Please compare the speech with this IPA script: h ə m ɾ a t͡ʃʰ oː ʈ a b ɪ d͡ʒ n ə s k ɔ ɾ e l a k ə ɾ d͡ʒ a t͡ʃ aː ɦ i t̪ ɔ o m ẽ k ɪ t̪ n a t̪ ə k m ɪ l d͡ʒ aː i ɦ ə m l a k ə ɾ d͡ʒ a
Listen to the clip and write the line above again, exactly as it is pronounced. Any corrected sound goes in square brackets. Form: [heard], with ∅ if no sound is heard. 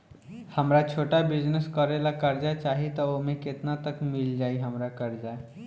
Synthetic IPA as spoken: h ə m ɾ a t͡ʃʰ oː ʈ a b ɪ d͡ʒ n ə s k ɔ ɾ e l a k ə ɾ d͡ʒ a t͡ʃ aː ɦ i t̪ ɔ o m ẽ k ɪ t̪ n a t̪ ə k m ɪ l d͡ʒ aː i ɦ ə m [ɾ] a k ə ɾ d͡ʒ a